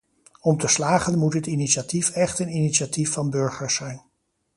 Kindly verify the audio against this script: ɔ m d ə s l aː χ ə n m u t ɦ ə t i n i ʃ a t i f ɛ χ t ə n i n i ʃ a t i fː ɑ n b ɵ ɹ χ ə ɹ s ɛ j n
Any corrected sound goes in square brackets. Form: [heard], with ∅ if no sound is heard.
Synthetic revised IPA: ɔ m [t] ə s l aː χ ə n m u t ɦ ə t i n i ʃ a t i f ɛ χ t ə n i n i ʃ a t i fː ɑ n b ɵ ɹ χ ə ɹ s ɛ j n